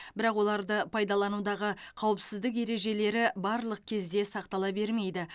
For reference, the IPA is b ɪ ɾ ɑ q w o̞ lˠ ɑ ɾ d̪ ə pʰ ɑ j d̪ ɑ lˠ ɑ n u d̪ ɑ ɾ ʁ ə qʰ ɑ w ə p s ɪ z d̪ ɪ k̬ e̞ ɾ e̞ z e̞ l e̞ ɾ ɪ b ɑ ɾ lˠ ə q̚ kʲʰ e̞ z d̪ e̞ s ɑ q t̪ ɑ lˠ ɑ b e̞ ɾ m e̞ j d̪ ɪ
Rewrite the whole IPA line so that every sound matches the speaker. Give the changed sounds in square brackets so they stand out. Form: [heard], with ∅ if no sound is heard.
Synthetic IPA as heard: b ɪ ɾ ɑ q w o̞ lˠ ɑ ɾ d̪ ə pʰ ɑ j d̪ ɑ lˠ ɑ n u d̪ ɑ [∅] ʁ ə qʰ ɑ w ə p s ɪ z d̪ ɪ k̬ e̞ ɾ e̞ [ʒ] e̞ l e̞ ɾ ɪ b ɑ ɾ lˠ ə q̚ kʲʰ e̞ z d̪ e̞ s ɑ q t̪ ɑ lˠ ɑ b e̞ ɾ m e̞ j d̪ ɪ